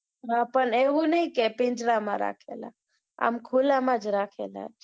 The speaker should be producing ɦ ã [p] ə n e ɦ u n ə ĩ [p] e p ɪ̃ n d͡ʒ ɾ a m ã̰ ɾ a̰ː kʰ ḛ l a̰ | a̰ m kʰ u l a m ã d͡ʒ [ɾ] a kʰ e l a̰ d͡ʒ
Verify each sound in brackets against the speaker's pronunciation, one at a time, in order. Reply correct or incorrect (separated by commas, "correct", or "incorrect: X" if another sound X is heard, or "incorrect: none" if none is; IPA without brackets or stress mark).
correct, incorrect: k, correct